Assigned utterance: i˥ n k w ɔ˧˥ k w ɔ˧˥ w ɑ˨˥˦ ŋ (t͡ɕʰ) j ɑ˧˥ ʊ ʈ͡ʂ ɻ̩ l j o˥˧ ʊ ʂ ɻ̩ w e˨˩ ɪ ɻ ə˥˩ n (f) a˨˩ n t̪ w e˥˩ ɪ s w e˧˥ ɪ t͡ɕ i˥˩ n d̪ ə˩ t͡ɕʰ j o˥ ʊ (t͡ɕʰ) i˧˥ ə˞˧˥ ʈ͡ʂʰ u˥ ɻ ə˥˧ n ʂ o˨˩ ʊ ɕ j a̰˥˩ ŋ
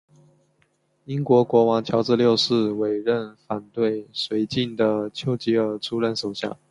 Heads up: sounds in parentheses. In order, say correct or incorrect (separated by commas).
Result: correct, correct, incorrect